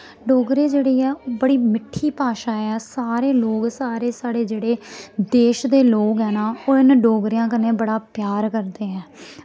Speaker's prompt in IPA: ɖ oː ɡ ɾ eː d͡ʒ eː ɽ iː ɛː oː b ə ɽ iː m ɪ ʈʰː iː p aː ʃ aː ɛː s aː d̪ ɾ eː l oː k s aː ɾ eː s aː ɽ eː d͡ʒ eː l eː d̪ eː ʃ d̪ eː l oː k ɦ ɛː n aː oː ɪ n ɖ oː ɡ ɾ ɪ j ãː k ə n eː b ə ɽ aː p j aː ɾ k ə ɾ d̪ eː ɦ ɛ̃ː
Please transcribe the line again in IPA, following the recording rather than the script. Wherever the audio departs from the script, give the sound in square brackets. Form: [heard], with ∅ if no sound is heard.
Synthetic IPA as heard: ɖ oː ɡ ɾ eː d͡ʒ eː ɽ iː ɛː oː b ə ɽ iː m ɪ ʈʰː iː p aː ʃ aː ɛː s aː [∅] ɾ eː l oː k s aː ɾ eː s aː ɽ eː d͡ʒ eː [ɽ] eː d̪ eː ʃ d̪ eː l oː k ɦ ɛː n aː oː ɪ n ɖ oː ɡ ɾ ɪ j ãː k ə n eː b ə ɽ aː p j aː ɾ k ə ɾ d̪ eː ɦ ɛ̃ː